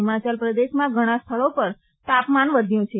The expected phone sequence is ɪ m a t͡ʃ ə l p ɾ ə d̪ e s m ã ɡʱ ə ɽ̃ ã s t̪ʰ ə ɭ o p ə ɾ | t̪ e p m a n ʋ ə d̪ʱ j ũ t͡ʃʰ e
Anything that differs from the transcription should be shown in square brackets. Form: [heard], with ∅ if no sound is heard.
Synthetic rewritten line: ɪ m a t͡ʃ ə l p ɾ ə d̪ e [ʃ] m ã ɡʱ ə ɽ̃ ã s t̪ʰ ə ɭ o p ə ɾ | t̪ [a] p m a n ʋ ə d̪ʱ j ũ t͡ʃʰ e